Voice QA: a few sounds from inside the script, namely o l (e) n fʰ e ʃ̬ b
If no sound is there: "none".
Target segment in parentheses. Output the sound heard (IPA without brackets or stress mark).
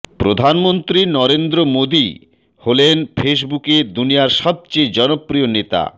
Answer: e